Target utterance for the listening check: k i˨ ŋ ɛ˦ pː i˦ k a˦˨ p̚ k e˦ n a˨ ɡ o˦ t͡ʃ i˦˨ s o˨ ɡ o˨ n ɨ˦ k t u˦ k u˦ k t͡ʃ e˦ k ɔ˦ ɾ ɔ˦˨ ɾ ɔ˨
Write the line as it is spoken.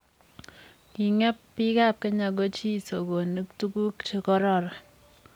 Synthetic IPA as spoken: k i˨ ŋ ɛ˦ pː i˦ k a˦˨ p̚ k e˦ ɲ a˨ ɡ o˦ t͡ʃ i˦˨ s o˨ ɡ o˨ n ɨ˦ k t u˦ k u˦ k t͡ʃ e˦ k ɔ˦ ɾ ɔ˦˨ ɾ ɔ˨